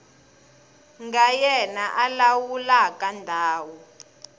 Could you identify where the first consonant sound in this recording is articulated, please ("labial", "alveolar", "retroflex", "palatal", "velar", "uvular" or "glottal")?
velar